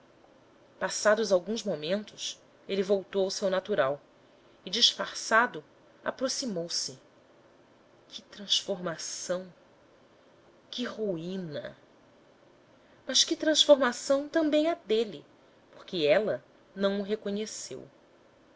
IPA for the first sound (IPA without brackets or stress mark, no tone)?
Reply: p